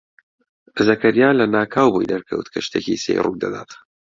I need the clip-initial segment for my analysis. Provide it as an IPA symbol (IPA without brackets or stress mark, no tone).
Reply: z